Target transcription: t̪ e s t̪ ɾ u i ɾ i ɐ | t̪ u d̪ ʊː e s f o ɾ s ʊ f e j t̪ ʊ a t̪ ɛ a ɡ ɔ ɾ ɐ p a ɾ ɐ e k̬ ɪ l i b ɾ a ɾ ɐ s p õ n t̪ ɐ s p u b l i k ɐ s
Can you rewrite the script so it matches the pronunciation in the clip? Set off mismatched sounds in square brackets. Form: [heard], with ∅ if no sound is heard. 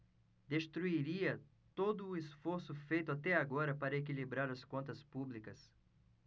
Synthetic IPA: [d̪] e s t̪ ɾ u i ɾ i ɐ | t̪ [o] d̪ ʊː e s f o ɾ s ʊ f e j t̪ ʊ a t̪ ɛ a ɡ ɔ ɾ ɐ p a ɾ ɐ e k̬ [i] l i b ɾ a ɾ ɐ s [k] õ n t̪ ɐ s p u b l i k ɐ s